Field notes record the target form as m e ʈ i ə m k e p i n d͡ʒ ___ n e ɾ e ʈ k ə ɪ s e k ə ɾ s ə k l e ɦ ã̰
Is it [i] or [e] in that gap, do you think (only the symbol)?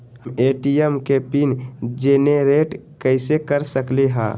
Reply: e